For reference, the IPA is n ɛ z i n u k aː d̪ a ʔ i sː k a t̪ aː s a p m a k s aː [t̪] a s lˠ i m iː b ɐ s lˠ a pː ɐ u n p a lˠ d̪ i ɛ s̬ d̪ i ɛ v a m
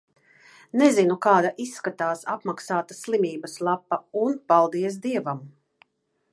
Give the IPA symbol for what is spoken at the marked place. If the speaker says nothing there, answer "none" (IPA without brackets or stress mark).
t̪